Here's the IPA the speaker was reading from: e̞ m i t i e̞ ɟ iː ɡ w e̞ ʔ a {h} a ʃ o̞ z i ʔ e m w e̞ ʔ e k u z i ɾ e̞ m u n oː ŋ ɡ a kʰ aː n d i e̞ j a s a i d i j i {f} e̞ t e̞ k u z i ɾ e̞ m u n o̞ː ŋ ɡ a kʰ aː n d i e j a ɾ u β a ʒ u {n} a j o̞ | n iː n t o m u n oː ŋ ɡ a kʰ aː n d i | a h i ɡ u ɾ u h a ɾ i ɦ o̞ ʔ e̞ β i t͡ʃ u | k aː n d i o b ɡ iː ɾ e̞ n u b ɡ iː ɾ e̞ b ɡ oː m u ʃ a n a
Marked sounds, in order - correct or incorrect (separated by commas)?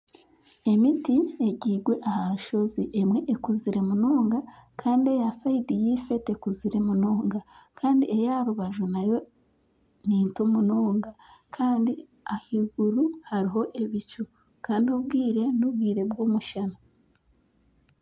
correct, correct, correct